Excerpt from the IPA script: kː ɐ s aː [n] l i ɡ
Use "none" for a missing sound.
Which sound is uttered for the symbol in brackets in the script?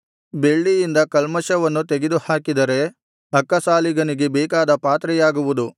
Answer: none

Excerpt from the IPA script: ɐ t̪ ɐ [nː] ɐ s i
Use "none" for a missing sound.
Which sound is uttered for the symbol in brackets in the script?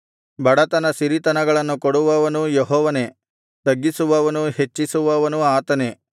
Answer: n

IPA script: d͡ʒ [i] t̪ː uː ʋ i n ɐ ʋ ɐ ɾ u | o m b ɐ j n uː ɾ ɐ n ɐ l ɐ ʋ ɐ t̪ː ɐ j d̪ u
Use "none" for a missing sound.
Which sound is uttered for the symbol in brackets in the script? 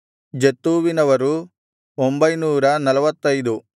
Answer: e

